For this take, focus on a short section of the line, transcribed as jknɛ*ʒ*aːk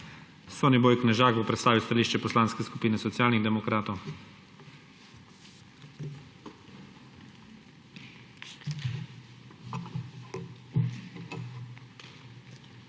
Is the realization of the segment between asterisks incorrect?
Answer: no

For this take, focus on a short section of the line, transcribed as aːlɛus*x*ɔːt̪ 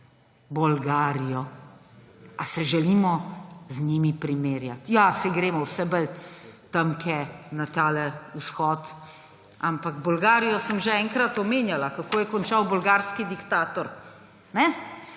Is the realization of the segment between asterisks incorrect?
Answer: no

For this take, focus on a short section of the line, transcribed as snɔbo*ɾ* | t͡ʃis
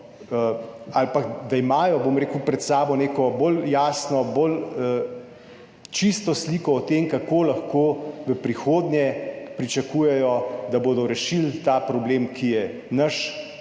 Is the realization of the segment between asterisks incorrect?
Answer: yes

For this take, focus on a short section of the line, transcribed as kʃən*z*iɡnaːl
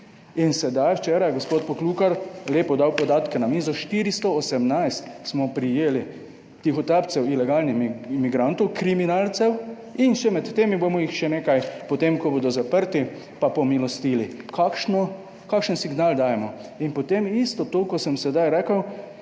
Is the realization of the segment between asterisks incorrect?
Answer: yes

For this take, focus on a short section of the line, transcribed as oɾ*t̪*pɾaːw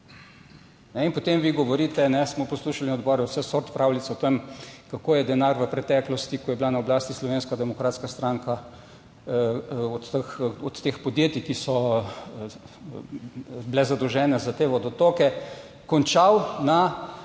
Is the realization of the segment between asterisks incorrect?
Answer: no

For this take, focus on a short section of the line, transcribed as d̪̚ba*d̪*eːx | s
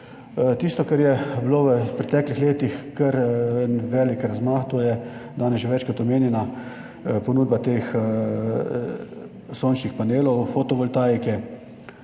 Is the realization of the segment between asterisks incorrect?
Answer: yes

